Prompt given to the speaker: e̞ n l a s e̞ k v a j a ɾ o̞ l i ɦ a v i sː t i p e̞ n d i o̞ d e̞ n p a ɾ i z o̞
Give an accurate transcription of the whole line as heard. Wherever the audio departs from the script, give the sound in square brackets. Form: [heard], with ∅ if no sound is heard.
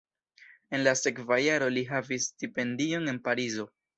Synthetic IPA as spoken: e̞ n l a s e̞ k v a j a ɾ o̞ l i ɦ a v i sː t i p e̞ n d i o̞ [n] e̞ n p a ɾ i z o̞